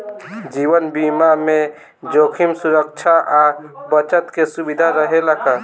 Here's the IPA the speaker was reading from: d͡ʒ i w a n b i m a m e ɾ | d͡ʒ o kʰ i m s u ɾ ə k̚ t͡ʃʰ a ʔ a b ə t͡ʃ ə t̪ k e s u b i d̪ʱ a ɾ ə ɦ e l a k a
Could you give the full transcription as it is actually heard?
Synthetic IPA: d͡ʒ i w ə n b i m a m e | d͡ʒ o kʰ i m s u ɾ ə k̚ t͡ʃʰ a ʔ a b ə t͡ʃ ə t̪ k e s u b i d̪ʱ a ɾ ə ɦ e l a k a

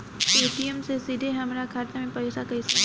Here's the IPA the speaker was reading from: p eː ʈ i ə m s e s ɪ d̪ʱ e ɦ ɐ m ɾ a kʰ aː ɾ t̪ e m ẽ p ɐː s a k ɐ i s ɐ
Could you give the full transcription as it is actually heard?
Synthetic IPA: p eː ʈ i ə m s e s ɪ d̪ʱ e ɦ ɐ m ɾ a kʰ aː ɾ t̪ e m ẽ p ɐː s a k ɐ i s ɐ

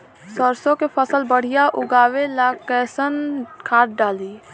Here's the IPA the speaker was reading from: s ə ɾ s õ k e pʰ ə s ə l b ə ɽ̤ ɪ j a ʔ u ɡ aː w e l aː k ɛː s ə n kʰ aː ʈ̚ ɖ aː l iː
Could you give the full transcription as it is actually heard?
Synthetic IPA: s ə ɾ s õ k e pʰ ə s ə l b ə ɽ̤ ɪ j a ʔ ʊ ɡ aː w e l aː k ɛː s ə n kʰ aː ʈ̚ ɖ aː l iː

